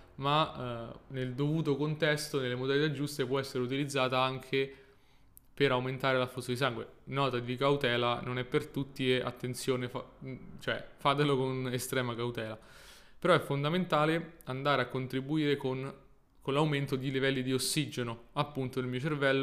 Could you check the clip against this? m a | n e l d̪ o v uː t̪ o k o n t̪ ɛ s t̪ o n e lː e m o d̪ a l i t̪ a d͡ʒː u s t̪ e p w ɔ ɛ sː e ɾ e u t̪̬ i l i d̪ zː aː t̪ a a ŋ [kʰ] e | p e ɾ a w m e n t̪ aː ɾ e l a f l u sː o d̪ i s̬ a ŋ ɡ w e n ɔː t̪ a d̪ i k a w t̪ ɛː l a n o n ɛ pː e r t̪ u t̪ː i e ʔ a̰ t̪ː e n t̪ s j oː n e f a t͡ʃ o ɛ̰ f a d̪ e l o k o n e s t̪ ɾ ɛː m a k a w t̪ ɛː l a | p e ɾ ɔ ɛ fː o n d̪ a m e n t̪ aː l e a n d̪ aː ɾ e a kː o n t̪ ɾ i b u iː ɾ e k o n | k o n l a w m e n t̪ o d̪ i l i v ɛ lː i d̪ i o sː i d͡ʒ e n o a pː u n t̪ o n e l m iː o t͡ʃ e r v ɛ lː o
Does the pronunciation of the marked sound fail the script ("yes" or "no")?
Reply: no